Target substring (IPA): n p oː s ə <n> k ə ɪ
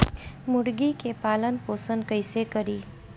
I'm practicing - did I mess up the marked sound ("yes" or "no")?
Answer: no